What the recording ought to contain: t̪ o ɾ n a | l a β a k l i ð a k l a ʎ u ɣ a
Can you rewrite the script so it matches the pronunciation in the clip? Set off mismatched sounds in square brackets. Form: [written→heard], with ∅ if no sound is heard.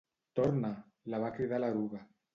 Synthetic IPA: t̪ o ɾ n a | l a β a k [l→ɾ] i ð a [k→∅] l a [ʎ→ɾ] u ɣ a

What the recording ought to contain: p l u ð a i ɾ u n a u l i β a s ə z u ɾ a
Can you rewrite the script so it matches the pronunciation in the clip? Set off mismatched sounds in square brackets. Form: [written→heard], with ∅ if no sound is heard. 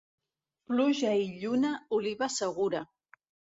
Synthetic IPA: p l u [ð→ʒ] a i [ɾ→ʎ] u n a u l i β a s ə [z→ɣ] u ɾ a

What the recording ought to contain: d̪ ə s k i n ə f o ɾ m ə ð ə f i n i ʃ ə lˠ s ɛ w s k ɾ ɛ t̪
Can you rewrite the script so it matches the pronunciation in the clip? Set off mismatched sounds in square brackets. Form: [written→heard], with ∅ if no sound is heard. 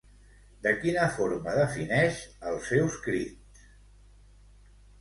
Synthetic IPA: d̪ ə [s→∅] k i n ə f o ɾ m ə ð ə f i n [i→ɛ] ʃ ə lˠ s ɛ w s k ɾ [ɛ→i] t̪

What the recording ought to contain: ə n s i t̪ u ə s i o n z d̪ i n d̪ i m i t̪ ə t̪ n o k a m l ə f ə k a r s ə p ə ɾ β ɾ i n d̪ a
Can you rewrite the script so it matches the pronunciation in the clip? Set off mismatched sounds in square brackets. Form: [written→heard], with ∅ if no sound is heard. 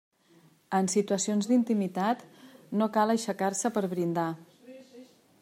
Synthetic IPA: ə n s i t̪ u ə s i o n z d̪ i n [d̪→t̪] i m i t̪ [ə→a] t̪ n o k a [m→∅] l ə [f→ʃ] ə k a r s ə p ə ɾ β ɾ i n d̪ a

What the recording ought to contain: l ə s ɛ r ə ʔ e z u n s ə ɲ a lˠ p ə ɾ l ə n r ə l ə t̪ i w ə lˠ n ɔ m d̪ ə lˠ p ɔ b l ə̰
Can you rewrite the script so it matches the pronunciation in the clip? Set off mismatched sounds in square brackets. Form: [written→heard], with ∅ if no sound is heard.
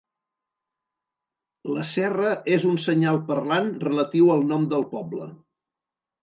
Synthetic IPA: l ə s ɛ r ə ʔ e z u n s ə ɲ a lˠ p ə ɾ l [ə→a] n r ə l ə t̪ i w ə lˠ n ɔ m d̪ ə lˠ p ɔ b l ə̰

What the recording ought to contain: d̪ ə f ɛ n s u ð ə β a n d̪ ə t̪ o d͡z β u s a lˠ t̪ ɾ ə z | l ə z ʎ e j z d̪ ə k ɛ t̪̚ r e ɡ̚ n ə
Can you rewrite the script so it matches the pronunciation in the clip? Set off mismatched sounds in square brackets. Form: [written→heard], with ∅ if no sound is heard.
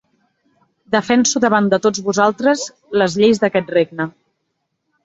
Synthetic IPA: d̪ ə f ɛ n s u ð ə β a n d̪ ə t̪ o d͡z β u [s→z] a lˠ t̪ ɾ ə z | l ə z ʎ e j z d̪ ə k ɛ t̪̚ r e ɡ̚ n ə

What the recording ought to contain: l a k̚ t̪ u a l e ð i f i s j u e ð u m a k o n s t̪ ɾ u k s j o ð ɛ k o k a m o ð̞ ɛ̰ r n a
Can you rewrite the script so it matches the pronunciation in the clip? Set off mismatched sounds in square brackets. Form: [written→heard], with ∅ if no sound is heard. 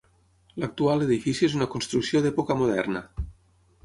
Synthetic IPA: l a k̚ t̪ u a l e ð i f i s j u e [ð→z] u [m→n] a k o n s t̪ ɾ u k s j o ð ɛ [k→p] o k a m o ð̞ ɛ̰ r n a

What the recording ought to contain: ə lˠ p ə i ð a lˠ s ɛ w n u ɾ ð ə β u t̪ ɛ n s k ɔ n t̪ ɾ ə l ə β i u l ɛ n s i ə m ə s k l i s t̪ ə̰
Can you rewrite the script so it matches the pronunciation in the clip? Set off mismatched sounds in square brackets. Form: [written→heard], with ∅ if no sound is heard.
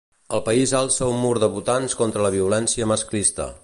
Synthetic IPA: ə lˠ p ə i [ð→z] a lˠ s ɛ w [n→m] u ɾ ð ə β u t̪ [ɛ→a] n s k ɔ n t̪ ɾ ə l ə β i u l ɛ n s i ə m ə s k l i s t̪ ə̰

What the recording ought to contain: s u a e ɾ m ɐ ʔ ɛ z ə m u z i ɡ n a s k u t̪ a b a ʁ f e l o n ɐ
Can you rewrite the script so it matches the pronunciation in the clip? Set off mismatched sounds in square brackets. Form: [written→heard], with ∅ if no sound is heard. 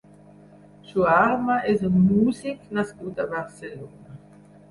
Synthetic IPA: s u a [e→a] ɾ m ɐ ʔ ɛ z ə m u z i [ɡ→k] n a s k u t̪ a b a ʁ [f→s] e l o n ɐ

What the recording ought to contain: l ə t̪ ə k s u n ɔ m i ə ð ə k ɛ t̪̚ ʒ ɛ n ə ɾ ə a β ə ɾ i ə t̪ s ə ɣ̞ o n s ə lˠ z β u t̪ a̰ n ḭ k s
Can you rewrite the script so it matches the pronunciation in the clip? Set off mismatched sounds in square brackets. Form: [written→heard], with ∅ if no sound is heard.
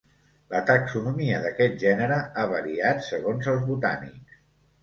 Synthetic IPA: l ə t̪ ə k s u n [ɔ→u] m i ə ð ə k ɛ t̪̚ ʒ ɛ n ə ɾ ə a β ə ɾ i [ə→a] t̪ s ə ɣ̞ o n [s→z] ə lˠ z β u t̪ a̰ n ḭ k s

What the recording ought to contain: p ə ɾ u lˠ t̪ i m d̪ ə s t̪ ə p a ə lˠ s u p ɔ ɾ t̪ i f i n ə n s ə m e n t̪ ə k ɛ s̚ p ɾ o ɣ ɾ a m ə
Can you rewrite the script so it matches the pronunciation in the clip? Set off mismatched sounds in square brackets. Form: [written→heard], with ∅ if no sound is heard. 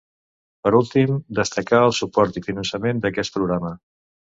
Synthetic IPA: p ə ɾ u lˠ t̪ i m d̪ ə s t̪ ə [p→k] a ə lˠ s u p ɔ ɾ t̪ i f i n ə n s ə m e n [t̪→d̪] ə k ɛ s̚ p ɾ [o→u] ɣ ɾ a m ə

